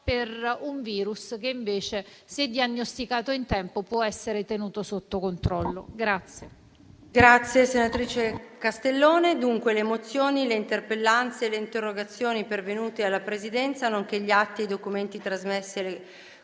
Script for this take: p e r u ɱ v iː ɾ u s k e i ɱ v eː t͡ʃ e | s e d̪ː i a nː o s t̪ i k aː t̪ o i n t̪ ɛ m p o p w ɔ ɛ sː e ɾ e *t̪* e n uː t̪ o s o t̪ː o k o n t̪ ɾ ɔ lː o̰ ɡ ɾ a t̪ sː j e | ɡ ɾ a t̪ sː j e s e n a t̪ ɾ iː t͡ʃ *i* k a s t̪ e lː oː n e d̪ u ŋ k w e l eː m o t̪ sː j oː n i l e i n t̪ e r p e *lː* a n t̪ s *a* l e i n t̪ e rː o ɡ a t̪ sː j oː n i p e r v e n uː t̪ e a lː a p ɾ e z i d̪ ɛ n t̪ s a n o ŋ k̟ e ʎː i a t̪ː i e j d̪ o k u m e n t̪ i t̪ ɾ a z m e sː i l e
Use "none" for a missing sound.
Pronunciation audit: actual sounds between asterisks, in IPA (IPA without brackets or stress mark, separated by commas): t̪, e, lː, e